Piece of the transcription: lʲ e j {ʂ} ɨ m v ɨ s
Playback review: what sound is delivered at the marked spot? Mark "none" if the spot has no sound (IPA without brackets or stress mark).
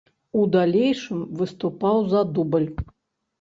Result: ʂ